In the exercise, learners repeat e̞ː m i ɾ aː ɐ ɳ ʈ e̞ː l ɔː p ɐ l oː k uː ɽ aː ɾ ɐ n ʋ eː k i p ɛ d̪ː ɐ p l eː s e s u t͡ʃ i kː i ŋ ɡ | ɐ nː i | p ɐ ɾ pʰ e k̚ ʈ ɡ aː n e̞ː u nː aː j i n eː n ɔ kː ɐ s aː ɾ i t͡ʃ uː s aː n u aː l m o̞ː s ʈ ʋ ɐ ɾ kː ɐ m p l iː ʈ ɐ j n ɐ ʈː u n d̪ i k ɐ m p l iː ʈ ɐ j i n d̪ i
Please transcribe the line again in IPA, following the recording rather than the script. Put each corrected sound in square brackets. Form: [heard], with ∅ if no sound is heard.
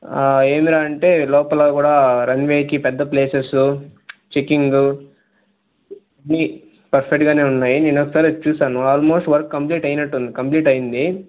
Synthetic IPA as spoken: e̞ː m i ɾ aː ɐ ɳ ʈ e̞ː l ɔː p ɐ l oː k uː ɽ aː ɾ ɐ n ʋ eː k i p ɛ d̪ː ɐ p l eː s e s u t͡ʃ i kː i ŋ ɡ | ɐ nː i | p ɐ ɾ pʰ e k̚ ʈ ɡ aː n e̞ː u nː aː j i n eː n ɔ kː ɐ s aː ɾ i t͡ʃ uː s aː n u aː l m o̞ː s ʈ ʋ ɐ ɾ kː ɐ m p l iː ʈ ɐ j n ɐ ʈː u n d̪ i k ɐ m p l iː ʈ ɐ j i n d̪ i